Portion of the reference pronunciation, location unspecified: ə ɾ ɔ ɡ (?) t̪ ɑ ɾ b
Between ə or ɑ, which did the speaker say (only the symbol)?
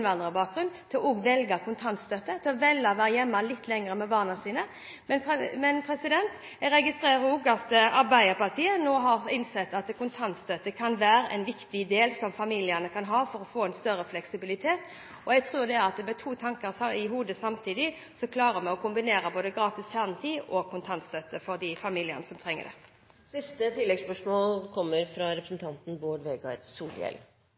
ɑ